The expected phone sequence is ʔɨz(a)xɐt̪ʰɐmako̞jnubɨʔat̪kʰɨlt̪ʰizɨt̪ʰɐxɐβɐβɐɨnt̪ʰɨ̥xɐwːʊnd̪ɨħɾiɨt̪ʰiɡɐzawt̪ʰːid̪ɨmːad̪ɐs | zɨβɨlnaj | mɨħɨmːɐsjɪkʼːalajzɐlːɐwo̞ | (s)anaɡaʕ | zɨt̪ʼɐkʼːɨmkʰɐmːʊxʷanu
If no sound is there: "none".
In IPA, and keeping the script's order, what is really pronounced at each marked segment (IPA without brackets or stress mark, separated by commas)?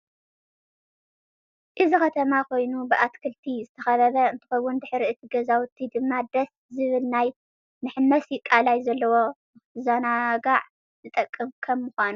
i, z